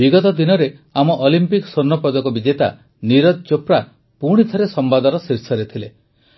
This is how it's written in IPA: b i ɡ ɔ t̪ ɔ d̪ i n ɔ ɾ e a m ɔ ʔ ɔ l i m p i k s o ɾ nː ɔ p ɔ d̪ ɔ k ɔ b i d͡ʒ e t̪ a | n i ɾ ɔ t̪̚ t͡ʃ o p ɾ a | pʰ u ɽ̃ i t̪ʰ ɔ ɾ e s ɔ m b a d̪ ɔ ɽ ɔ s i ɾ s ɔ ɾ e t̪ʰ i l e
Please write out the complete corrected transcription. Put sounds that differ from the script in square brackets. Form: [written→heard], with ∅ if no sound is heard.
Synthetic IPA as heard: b i ɡ ɔ t̪ ɔ d̪ i n ɔ ɾ e a m ɔ ʔ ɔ l i m p i k s o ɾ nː ɔ p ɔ d̪ ɔ k ɔ b i d͡ʒ e t̪ a | n i ɾ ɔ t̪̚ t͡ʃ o p ɾ a | [pʰ→p] u ɽ̃ i t̪ʰ ɔ ɾ e s ɔ m b a d̪ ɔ [ɽ→ɾ] ɔ s i ɾ s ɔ ɾ e t̪ʰ i l e